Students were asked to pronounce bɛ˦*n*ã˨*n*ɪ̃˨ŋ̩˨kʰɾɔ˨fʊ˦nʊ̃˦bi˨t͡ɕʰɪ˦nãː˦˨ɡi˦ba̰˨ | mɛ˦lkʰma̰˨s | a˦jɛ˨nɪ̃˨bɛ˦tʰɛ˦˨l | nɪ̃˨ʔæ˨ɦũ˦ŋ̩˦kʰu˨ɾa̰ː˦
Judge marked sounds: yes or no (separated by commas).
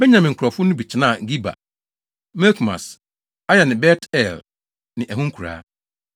no, no